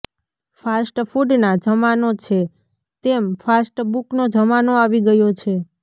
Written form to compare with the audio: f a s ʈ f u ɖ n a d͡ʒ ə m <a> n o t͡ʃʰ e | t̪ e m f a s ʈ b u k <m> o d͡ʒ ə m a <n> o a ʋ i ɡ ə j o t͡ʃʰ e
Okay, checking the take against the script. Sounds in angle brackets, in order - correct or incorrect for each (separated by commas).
correct, incorrect, correct